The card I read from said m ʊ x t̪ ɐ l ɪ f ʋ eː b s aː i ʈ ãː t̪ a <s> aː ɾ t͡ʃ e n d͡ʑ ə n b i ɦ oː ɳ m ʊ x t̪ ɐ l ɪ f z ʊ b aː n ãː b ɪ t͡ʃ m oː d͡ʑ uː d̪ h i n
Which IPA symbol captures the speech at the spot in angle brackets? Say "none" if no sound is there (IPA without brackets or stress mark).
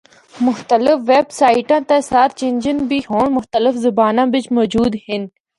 s